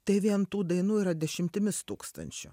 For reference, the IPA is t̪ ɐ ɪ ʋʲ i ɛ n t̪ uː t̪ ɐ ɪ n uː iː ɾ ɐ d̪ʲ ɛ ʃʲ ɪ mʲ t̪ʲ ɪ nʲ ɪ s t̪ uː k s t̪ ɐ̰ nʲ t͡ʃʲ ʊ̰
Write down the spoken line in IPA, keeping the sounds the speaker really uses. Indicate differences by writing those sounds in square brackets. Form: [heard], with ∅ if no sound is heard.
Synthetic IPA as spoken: t̪ ɐ ɪ ʋʲ i ɛ n t̪ uː [d̪] ɐ ɪ n uː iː ɾ ɐ d̪ʲ ɛ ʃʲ ɪ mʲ t̪ʲ ɪ [mʲ] ɪ s t̪ uː k s t̪ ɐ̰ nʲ t͡ʃʲ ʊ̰